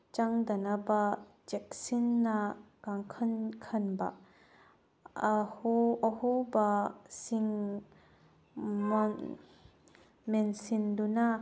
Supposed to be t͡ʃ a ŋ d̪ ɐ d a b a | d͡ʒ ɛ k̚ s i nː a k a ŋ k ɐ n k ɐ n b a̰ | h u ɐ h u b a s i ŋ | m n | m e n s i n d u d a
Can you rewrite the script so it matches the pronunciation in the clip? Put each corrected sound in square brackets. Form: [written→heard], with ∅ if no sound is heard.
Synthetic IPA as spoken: t͡ʃ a ŋ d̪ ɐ [d→n] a b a | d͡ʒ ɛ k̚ s i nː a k a ŋ [k→kʰ] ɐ n [k→kʰ] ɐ n b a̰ | h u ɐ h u b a s i ŋ | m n | m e n s i n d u [d→n] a

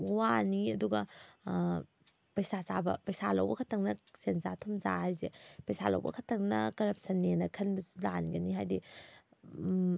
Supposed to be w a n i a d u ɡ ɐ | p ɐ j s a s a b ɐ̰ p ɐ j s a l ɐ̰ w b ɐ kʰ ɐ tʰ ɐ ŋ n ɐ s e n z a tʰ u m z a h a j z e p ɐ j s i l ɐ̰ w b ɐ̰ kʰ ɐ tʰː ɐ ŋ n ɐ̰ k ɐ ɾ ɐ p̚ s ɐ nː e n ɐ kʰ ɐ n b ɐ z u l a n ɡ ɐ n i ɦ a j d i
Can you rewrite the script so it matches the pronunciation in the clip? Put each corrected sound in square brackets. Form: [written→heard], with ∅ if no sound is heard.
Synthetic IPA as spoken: w a n i [a→ɐ] d u ɡ ɐ | p ɐ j s a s a b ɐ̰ p ɐ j s a l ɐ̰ w b ɐ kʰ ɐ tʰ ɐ ŋ n ɐ s e n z a tʰ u m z a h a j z e p ɐ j s [i→a] l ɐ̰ w b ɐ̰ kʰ ɐ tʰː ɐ ŋ n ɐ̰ k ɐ ɾ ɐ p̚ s ɐ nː e n ɐ kʰ ɐ n b ɐ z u l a n ɡ ɐ n i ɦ a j d i

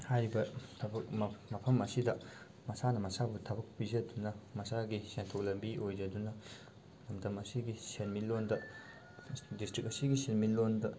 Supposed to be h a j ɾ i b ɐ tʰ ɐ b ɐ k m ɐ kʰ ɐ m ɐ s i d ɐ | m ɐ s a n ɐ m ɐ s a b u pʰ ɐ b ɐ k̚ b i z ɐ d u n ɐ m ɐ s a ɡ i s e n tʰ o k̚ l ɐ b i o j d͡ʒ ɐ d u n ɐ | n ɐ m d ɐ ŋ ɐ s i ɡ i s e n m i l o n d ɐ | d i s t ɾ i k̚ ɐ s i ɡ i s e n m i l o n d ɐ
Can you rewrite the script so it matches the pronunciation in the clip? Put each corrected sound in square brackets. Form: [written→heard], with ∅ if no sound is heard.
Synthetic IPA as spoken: h a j ɾ i b ɐ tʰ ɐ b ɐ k m ɐ [kʰ→pʰ] ɐ m ɐ s i d ɐ | m ɐ s a n ɐ m ɐ s a b u [pʰ→tʰ] ɐ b ɐ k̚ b i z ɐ d u n ɐ m ɐ s a ɡ i s e n tʰ o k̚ l ɐ b i o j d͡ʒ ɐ d u n ɐ | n ɐ m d ɐ [ŋ→m] ɐ s i ɡ i s e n m i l o n d ɐ | d i s t ɾ i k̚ ɐ s i ɡ i s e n m i l o n d ɐ

